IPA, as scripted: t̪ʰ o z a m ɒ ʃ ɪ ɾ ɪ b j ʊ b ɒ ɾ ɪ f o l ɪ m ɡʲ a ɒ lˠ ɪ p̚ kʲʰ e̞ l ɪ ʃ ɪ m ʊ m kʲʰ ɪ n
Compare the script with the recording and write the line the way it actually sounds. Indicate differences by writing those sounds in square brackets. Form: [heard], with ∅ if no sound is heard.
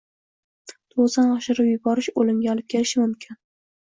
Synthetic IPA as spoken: t̪ʰ o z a [n] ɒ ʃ ɪ ɾ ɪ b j ʊ b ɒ ɾ ɪ [ʃ] o l ɪ m ɡʲ a ɒ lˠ ɪ p̚ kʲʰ e̞ l ɪ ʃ ɪ m ʊ m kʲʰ ɪ n